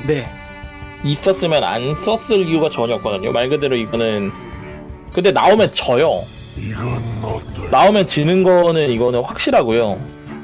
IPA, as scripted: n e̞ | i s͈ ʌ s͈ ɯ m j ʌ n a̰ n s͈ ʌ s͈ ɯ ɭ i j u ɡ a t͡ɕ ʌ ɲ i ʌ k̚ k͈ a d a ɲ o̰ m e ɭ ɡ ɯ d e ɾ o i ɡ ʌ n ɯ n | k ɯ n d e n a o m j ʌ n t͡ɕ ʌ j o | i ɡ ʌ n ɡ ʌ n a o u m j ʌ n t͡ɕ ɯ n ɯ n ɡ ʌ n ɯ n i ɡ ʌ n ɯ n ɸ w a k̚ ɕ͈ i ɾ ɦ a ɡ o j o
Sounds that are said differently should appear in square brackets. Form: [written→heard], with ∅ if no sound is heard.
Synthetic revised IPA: n e̞ | i s͈ ʌ s͈ ɯ m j ʌ n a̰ n s͈ ʌ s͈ ɯ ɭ i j u ɡ a t͡ɕ ʌ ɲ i ʌ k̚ k͈ [a→ʌ] d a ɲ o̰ m [e→a] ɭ ɡ ɯ d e ɾ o i ɡ ʌ n ɯ n | k ɯ n d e n a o m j ʌ n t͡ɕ ʌ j o | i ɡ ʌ n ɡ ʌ n a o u m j ʌ n t͡ɕ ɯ n ɯ n ɡ ʌ n ɯ n i ɡ ʌ n ɯ n ɸ w a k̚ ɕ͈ i ɾ ɦ a ɡ o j o